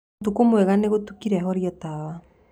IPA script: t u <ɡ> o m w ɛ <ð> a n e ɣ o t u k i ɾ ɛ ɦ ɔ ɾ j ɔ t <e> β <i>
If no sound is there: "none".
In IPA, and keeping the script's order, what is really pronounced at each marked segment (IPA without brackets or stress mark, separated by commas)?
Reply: k, ɣ, a, a